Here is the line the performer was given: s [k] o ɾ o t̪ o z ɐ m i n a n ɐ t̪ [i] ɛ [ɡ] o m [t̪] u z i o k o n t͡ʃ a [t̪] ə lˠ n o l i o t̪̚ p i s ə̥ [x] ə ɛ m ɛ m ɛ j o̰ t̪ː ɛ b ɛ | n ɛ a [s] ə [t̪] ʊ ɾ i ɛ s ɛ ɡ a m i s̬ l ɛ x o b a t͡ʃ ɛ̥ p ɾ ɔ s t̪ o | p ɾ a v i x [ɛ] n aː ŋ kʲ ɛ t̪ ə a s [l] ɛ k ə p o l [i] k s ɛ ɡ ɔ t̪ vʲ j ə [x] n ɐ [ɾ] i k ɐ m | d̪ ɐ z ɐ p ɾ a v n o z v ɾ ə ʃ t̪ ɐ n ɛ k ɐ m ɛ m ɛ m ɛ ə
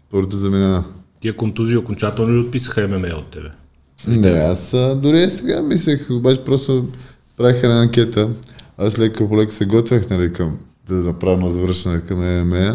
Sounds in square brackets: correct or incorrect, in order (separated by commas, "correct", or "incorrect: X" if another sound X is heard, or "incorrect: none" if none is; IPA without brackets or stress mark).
incorrect: p, correct, incorrect: k, correct, correct, correct, correct, incorrect: d̪, correct, correct, incorrect: ɛ, correct, incorrect: l